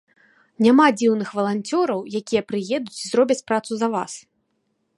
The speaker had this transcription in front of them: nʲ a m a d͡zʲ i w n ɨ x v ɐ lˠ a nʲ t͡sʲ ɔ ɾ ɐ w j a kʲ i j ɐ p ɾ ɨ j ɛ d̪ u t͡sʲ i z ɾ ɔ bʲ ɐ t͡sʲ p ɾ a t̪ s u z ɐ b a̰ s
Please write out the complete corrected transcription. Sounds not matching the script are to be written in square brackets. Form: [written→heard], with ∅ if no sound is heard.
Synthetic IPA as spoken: nʲ a m a d͡zʲ i w n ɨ x v ɐ lˠ a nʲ t͡sʲ ɔ ɾ ɐ w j a kʲ i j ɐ p ɾ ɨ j ɛ d̪ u t͡sʲ i z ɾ ɔ bʲ ɐ t͡sʲ p ɾ a t̪ s u z ɐ [b→v] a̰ s